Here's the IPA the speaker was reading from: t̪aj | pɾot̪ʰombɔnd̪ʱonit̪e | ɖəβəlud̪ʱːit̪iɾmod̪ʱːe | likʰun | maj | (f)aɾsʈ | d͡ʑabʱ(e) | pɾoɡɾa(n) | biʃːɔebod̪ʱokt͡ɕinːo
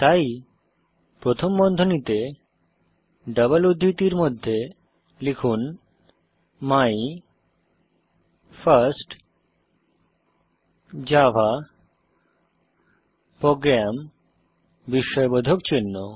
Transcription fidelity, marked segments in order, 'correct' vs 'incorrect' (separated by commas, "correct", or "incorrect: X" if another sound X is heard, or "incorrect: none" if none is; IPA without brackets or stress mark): correct, incorrect: a, incorrect: m